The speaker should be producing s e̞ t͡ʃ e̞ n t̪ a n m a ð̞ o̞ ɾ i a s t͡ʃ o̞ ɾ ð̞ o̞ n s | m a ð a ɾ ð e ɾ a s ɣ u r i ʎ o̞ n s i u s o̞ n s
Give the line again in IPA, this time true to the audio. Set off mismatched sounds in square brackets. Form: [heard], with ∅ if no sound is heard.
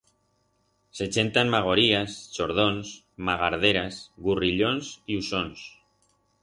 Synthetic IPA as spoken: s e̞ t͡ʃ e̞ n t̪ a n m a [ɣ̞] o̞ ɾ i a s t͡ʃ o̞ ɾ ð̞ o̞ n s | m a [ɣ] a ɾ ð e ɾ a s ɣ u r i ʎ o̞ n s i u s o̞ n s